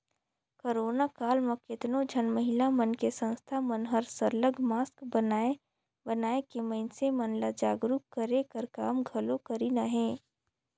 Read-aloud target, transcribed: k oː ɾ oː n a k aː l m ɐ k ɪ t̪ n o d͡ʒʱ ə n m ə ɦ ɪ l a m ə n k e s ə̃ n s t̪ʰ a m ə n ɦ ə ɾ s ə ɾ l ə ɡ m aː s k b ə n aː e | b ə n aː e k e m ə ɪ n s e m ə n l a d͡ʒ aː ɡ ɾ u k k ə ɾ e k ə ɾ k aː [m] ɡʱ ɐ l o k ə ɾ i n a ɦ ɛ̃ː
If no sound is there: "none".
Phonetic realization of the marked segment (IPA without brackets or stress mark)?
m